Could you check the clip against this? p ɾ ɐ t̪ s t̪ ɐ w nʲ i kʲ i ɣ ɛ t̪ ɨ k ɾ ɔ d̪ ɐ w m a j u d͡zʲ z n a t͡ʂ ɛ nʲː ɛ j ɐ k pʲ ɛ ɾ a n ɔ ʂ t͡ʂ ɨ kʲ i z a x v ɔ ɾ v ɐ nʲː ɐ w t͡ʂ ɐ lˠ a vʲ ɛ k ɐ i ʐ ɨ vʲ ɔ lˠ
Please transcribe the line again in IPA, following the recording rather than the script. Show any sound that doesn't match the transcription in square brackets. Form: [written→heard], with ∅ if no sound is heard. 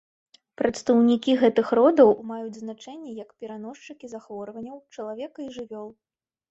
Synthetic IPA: p ɾ ɐ t̪ s t̪ ɐ w nʲ i kʲ i ɣ ɛ t̪ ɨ [k→x] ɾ ɔ d̪ ɐ w m a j u d͡zʲ z n a t͡ʂ ɛ nʲː ɛ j ɐ k pʲ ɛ ɾ a n ɔ ʂ t͡ʂ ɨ kʲ i z a x v ɔ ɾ v ɐ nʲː ɐ w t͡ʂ ɐ lˠ a vʲ ɛ k ɐ i ʐ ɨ vʲ ɔ lˠ

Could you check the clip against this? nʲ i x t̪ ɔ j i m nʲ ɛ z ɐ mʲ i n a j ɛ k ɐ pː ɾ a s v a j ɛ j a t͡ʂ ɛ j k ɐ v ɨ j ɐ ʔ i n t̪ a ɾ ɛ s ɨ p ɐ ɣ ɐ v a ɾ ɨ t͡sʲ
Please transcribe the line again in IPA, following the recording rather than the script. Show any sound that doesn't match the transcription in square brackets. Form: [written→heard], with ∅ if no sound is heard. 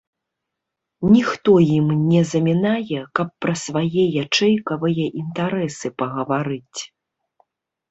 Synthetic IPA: nʲ i x t̪ ɔ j i m nʲ ɛ z ɐ mʲ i n a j ɛ k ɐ pː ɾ [a→ɐ] s v a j ɛ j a t͡ʂ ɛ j k ɐ v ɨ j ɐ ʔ i n t̪ a ɾ ɛ s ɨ p ɐ ɣ ɐ v a ɾ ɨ t͡sʲ

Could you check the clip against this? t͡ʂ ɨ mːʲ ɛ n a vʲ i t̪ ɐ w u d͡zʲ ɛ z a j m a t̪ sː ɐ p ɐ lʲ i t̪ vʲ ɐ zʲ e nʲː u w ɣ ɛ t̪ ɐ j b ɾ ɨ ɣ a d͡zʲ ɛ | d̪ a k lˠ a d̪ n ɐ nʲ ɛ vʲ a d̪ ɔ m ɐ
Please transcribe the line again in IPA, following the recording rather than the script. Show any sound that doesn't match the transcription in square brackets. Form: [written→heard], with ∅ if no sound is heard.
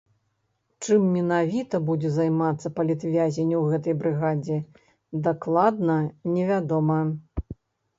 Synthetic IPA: t͡ʂ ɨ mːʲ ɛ n a vʲ i t̪ ɐ [w→b] u d͡zʲ ɛ z a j m a t̪ sː ɐ p ɐ lʲ i t̪ vʲ [ɐ→a] zʲ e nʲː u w ɣ ɛ t̪ ɐ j b ɾ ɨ ɣ a d͡zʲ ɛ | d̪ a k lˠ a d̪ n ɐ nʲ ɛ vʲ a d̪ ɔ m ɐ

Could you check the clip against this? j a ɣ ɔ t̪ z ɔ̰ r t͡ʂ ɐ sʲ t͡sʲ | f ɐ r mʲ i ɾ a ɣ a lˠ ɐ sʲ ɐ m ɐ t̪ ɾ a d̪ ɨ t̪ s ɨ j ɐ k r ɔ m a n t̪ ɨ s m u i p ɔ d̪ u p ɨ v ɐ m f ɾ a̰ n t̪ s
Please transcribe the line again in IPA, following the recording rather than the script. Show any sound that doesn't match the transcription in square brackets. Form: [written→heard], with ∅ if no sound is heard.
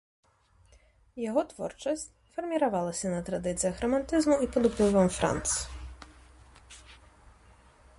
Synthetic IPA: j a ɣ ɔ t̪ [z→v] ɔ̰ r t͡ʂ ɐ sʲ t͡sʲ | f ɐ r mʲ i ɾ a [ɣ→v] a lˠ ɐ sʲ ɐ [m→n] ɐ t̪ ɾ a d̪ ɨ t̪ s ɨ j ɐ [k→x] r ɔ m a n t̪ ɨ [s→z] m u i p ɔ d̪ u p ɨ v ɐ m f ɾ a̰ n t̪ s

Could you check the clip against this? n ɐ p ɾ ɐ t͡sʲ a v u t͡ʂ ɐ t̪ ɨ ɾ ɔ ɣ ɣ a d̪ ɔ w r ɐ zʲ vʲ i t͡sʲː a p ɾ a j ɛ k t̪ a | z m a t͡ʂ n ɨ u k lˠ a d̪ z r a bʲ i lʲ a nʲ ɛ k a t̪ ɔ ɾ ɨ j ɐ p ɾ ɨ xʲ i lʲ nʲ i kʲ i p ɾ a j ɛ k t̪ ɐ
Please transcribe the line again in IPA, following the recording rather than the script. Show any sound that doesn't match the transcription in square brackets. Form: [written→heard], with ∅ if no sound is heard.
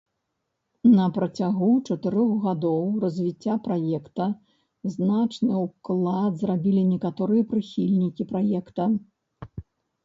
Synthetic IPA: n ɐ p ɾ ɐ t͡sʲ a [v→ɣ] u t͡ʂ ɐ t̪ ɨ ɾ ɔ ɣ ɣ a d̪ ɔ w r ɐ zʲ vʲ i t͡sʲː a p ɾ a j ɛ k t̪ [a→ɐ] | z [m→n] a t͡ʂ n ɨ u k lˠ a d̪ z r a bʲ i lʲ [a→i] nʲ ɛ k a t̪ ɔ ɾ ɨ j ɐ p ɾ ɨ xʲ i lʲ nʲ i kʲ i p ɾ a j ɛ k t̪ ɐ

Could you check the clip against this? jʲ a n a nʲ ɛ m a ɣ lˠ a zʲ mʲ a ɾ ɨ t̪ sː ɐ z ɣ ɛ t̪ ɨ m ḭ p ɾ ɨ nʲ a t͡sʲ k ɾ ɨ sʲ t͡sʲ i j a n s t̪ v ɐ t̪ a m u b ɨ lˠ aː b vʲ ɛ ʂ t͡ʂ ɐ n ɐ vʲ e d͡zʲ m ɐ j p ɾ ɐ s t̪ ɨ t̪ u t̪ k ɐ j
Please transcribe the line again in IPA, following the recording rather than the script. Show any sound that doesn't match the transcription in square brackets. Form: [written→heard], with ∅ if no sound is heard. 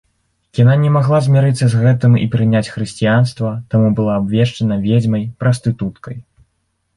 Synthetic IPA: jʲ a n a nʲ ɛ m a ɣ lˠ a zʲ mʲ a ɾ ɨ t̪ sː ɐ z ɣ ɛ t̪ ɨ m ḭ p ɾ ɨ nʲ a t͡sʲ [k→x] ɾ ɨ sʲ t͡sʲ i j a n s t̪ v ɐ t̪ a m u b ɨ lˠ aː b vʲ ɛ ʂ t͡ʂ ɐ n ɐ vʲ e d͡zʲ m ɐ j p ɾ ɐ s t̪ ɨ t̪ u t̪ k ɐ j

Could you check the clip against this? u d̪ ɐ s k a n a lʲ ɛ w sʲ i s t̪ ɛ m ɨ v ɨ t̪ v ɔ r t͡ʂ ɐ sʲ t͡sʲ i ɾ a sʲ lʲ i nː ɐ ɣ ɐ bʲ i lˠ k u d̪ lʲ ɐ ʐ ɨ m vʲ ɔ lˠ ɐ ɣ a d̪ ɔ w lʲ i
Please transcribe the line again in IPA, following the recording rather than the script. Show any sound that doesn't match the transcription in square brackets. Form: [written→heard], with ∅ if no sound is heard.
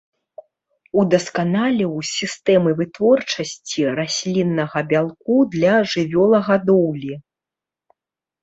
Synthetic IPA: u d̪ ɐ s k a n a lʲ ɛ w sʲ i s t̪ ɛ m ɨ v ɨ t̪ v ɔ r t͡ʂ ɐ sʲ t͡sʲ i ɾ a sʲ lʲ i nː ɐ ɣ ɐ bʲ [i→a] lˠ k u d̪ lʲ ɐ ʐ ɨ [m→∅] vʲ ɔ lˠ ɐ ɣ a d̪ ɔ w lʲ i

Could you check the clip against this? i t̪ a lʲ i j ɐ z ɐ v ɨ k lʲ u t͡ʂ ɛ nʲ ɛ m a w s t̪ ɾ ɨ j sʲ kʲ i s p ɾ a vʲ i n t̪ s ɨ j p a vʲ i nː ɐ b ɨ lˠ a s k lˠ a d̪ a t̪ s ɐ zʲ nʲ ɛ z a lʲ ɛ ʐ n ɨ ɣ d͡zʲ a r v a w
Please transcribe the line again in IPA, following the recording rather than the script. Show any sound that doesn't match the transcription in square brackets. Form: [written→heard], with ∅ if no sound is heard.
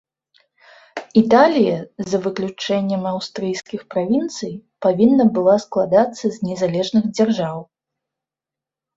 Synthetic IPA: i t̪ a lʲ i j ɐ z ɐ v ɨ k lʲ u t͡ʂ ɛ [nʲ→nʲː] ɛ m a w s t̪ ɾ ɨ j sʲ kʲ i [s→x] p ɾ a vʲ i n t̪ s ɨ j p a vʲ i nː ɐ b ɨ lˠ a s k lˠ a d̪ a t̪ [s→sː] ɐ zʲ nʲ ɛ z a lʲ ɛ ʐ n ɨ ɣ d͡zʲ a r [v→ʐ] a w

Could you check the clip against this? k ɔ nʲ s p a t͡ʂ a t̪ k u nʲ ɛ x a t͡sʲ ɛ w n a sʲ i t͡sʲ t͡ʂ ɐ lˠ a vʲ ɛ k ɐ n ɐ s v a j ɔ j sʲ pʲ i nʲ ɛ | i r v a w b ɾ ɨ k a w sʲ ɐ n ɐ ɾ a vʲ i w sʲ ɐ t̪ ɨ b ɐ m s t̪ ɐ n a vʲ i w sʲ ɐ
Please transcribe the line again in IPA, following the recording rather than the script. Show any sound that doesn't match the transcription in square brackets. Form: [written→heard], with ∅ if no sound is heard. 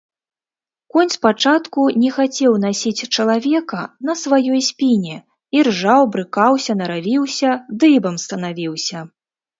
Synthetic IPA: k ɔ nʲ s p a t͡ʂ a t̪ k u nʲ ɛ x a t͡sʲ ɛ w n a sʲ i t͡sʲ t͡ʂ ɐ lˠ a vʲ ɛ k ɐ n ɐ s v a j ɔ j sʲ pʲ i nʲ ɛ | i r [v→ʐ] a w b ɾ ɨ k a w sʲ ɐ n ɐ ɾ a vʲ i w sʲ ɐ [t̪→d̪] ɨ b ɐ m s t̪ ɐ n a vʲ i w sʲ ɐ

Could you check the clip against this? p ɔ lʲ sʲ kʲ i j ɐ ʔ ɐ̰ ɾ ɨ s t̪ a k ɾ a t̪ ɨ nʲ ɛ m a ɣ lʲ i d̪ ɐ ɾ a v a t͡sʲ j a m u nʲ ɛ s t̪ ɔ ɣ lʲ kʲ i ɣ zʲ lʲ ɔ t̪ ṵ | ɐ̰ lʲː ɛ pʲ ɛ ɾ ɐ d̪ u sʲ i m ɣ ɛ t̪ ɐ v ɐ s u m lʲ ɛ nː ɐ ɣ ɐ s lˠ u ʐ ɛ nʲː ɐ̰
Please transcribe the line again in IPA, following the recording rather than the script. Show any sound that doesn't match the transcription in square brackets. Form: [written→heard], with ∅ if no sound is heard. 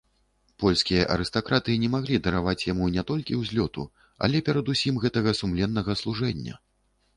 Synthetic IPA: p ɔ lʲ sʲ kʲ i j ɐ ʔ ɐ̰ ɾ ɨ s t̪ a k ɾ a t̪ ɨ nʲ ɛ m a ɣ lʲ i d̪ ɐ ɾ a v a t͡sʲ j a m u nʲ ɛ [s→∅] t̪ ɔ [ɣ→∅] lʲ kʲ i [ɣ→w] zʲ lʲ ɔ t̪ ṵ | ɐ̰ [lʲː→lʲ] ɛ pʲ ɛ ɾ ɐ d̪ u sʲ i m ɣ ɛ t̪ ɐ [v→ɣ] ɐ s u m lʲ ɛ nː ɐ ɣ ɐ s lˠ u ʐ ɛ nʲː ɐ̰

